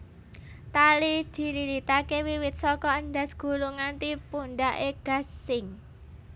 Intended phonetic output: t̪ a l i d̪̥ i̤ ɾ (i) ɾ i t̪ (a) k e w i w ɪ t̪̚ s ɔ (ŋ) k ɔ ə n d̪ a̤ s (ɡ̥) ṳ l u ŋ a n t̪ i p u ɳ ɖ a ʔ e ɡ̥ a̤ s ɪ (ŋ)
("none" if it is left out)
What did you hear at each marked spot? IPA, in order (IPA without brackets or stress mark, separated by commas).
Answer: i, a, none, ɡ̥, ŋ